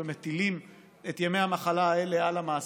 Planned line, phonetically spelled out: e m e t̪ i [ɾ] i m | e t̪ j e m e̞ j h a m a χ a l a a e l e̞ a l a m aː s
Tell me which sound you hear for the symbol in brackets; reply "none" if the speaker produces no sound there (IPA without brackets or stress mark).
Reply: l